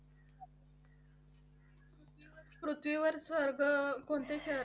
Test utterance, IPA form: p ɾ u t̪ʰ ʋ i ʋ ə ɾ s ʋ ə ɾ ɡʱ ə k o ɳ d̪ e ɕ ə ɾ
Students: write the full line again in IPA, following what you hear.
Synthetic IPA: p ɾ u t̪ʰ ʋ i ʋ ə ɾ s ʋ ə ɾ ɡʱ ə k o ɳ t̪ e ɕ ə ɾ

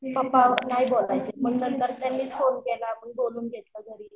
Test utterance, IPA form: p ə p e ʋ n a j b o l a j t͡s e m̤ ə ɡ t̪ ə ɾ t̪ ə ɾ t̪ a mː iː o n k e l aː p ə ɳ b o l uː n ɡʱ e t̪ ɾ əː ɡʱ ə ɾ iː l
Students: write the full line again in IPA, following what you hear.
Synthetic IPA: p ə p a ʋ n a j b o l a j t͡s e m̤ ə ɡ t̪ ə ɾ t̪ ə ɾ t̪ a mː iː o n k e l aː p ə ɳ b o l uː n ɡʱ e t̪ l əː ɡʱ ə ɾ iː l

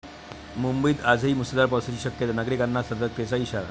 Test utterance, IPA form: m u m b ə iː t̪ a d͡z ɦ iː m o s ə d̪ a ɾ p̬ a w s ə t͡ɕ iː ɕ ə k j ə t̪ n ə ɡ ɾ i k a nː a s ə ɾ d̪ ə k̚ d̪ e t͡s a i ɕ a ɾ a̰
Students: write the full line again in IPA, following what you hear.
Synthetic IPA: m u m b ə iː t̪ a d͡z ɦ iː m u s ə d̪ a ɾ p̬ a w s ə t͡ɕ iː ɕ ə k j ə t̪ n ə ɡ ɾ i k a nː a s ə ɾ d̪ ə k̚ t̪ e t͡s a i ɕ a ɾ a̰

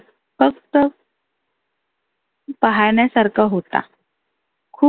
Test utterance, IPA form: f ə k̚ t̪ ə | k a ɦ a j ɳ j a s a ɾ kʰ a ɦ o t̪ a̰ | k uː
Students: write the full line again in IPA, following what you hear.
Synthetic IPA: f ə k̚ t̪ ə | p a ɦ a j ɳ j a s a ɾ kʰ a ɦ o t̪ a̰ | kʰ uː

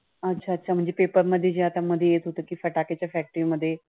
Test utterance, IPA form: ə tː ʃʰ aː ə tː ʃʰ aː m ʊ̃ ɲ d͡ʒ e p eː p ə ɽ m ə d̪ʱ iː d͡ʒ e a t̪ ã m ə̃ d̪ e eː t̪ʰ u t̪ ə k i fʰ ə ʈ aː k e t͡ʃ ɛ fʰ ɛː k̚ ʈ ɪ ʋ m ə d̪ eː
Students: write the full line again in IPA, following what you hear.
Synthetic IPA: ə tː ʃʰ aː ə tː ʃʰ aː m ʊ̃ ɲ d͡ʒ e p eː p ə ɾ m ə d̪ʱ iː d͡ʒ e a t̪ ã m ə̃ d̪ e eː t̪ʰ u t̪ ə k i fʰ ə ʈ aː k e t͡ʃ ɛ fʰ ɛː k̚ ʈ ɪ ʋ m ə d̪ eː

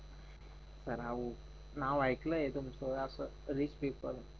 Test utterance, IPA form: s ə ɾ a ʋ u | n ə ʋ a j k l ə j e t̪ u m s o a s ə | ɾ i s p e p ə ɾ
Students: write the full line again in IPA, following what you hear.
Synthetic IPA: s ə ɾ a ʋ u | n a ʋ a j k l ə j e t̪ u m s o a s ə | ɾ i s p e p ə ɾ

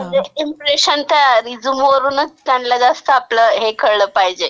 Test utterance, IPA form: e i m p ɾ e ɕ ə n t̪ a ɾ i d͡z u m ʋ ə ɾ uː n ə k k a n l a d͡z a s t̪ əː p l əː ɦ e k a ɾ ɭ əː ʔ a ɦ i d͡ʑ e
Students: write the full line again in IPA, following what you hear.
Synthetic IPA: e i m p ɾ e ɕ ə n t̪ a ɾ i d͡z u m ʋ ə ɾ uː n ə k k a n l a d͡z a s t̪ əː p l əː ɦ e k ə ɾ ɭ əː p a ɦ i d͡ʑ e

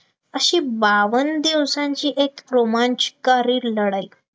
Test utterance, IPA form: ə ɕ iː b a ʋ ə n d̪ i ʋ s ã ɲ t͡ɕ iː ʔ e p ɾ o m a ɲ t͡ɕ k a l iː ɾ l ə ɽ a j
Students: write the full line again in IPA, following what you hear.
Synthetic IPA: ə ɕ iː b a ʋ ə n d̪ i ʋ s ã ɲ t͡ɕ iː ʔ e k ɾ o m a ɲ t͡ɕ k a ɾ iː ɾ l ə ɽ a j

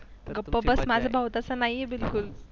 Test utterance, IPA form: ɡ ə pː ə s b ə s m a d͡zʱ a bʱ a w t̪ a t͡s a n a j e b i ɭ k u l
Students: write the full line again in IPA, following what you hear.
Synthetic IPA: ɡ ə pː ə b ə s m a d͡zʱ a bʱ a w t̪ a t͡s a n a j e b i l k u l

